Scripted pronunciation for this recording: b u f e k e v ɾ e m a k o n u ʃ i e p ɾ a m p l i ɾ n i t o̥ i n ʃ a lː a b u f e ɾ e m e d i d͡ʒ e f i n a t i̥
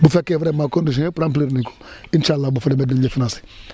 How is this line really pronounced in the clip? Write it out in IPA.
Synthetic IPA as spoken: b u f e k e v ɾ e m a k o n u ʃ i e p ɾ a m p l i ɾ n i k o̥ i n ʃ a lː a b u f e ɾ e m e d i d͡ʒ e f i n a s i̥